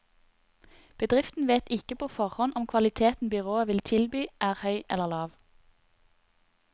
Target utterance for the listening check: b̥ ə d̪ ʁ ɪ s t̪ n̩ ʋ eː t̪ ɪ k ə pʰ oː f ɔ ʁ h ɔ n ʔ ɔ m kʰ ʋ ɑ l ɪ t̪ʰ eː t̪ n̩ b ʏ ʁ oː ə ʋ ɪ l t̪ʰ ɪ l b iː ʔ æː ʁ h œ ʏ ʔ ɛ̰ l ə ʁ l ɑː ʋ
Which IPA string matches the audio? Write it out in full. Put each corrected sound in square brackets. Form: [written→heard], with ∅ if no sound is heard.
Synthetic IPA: b̥ ə d̪ ʁ ɪ [s→f] t̪ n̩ ʋ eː t̪ ɪ k ə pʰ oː f ɔ ʁ h ɔ n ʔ ɔ m kʰ ʋ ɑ l ɪ t̪ʰ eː t̪ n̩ b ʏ ʁ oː ə ʋ ɪ l t̪ʰ ɪ l b [iː→yː] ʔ æː ʁ h œ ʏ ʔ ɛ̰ l ə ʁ l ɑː ʋ